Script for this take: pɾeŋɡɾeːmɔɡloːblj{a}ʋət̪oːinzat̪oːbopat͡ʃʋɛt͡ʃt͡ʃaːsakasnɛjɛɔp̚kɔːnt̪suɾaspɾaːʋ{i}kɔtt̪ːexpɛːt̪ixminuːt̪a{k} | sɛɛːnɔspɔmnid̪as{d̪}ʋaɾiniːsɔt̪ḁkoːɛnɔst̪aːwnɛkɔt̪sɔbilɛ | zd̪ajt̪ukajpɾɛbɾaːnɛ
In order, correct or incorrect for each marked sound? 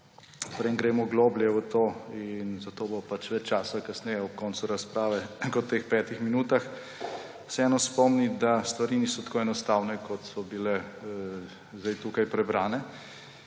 incorrect, incorrect, incorrect, incorrect

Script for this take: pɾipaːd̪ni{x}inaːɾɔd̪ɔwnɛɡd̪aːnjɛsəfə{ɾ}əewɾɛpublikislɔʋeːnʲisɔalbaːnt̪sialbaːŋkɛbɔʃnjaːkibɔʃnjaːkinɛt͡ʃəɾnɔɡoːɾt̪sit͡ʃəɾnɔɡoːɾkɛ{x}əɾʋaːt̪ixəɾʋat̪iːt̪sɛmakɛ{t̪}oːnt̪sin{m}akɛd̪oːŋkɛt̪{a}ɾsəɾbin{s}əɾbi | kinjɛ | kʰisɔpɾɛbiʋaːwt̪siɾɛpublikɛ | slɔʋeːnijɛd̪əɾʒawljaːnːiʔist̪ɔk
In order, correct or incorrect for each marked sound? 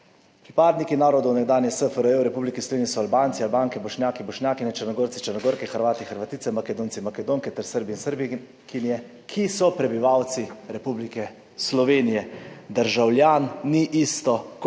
incorrect, correct, correct, incorrect, correct, incorrect, correct

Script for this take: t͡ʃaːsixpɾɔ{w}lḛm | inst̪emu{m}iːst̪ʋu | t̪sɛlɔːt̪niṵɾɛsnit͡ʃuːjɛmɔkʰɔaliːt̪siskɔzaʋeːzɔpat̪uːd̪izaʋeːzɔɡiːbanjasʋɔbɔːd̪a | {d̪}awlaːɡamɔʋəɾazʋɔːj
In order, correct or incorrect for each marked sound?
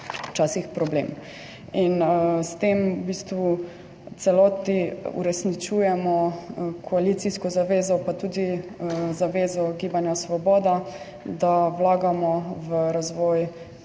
incorrect, incorrect, correct

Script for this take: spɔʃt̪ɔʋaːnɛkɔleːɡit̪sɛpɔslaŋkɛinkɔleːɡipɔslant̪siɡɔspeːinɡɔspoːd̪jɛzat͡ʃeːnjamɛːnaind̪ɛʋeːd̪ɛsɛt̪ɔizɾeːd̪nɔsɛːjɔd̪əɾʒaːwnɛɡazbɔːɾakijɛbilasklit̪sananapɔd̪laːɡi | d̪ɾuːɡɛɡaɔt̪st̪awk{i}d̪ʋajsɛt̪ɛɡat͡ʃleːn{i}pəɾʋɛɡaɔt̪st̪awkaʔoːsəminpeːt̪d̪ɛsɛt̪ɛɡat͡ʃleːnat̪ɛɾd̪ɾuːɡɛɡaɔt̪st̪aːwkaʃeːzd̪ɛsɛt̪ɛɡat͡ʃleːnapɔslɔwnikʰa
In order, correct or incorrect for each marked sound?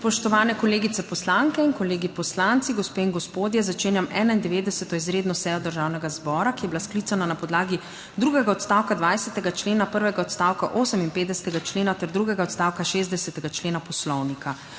incorrect, incorrect

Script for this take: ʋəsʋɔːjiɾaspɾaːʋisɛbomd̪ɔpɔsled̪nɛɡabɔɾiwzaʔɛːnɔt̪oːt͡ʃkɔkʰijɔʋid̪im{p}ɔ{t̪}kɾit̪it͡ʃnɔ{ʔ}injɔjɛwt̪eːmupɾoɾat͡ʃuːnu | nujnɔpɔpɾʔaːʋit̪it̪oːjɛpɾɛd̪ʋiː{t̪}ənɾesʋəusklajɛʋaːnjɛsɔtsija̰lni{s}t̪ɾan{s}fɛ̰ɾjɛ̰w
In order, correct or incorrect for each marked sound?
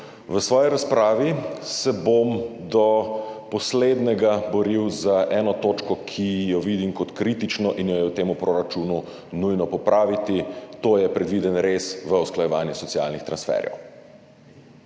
incorrect, correct, correct, incorrect, incorrect, correct

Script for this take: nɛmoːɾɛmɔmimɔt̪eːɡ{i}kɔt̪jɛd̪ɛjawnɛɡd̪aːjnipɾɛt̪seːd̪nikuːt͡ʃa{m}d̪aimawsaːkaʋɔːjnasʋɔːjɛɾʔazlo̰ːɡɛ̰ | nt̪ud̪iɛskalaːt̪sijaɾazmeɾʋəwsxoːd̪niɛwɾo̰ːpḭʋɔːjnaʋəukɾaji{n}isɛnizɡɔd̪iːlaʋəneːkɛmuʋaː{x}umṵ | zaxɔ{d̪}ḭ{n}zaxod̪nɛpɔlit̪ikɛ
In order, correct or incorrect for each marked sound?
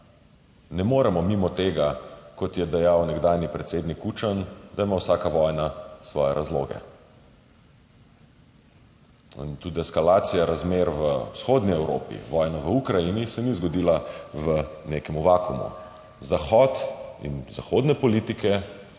incorrect, incorrect, correct, incorrect, incorrect, correct

